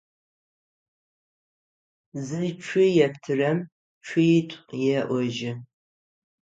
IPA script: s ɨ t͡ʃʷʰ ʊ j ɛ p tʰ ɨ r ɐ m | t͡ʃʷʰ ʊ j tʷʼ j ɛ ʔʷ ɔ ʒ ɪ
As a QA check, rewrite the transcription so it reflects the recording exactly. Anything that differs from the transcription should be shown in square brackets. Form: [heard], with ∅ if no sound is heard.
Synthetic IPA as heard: [z] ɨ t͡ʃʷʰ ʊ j ɛ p tʰ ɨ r ɐ m | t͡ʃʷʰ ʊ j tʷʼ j ɛ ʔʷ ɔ ʒ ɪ